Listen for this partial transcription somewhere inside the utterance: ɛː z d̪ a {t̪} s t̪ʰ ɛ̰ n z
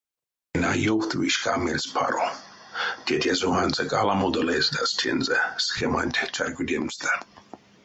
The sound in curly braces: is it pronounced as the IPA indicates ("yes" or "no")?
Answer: no